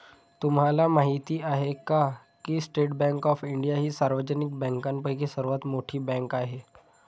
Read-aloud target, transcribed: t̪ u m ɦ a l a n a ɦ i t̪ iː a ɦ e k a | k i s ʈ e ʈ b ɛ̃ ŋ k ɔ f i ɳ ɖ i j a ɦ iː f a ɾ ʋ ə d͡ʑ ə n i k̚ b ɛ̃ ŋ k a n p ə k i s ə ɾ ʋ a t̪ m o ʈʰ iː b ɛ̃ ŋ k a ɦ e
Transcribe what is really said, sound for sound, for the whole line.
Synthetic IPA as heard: t̪ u m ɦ a l a m a ɦ i t̪ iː a ɦ e k a | k i s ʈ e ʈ b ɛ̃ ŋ k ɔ f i ɳ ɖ i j a ɦ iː s a ɾ ʋ ə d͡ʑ ə n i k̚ b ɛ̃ ŋ k a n p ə k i s ə ɾ ʋ a t̪ m o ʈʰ iː b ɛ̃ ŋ k a ɦ e